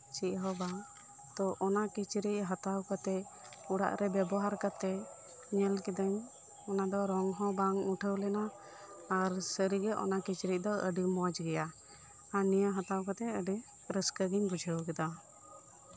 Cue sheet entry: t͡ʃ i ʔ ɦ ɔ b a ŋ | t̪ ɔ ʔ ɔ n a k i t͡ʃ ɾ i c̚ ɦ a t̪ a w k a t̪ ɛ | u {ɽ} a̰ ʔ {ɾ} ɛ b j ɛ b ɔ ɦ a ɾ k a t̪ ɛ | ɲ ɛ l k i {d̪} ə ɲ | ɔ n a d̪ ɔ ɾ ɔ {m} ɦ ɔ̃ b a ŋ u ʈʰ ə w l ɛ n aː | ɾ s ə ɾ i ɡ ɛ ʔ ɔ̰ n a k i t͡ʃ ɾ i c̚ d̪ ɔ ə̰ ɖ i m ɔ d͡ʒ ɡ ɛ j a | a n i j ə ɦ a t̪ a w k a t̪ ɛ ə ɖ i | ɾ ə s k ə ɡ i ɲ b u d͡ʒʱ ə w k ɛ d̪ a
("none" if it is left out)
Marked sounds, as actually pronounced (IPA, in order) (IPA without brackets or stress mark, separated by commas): ɽ, ɾ, d̪, ŋ